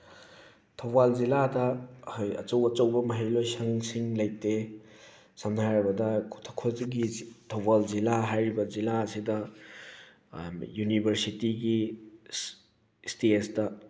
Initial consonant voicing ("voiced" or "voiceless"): voiceless